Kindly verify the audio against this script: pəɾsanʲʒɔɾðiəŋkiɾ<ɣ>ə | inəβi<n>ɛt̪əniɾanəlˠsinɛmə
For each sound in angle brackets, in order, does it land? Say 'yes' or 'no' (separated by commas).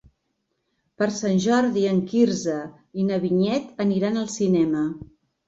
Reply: no, no